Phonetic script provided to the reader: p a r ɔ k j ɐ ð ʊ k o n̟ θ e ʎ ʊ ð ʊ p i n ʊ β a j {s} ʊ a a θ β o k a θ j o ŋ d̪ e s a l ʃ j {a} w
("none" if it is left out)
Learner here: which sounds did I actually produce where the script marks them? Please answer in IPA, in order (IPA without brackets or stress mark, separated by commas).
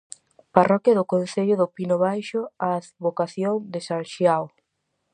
ʃ, a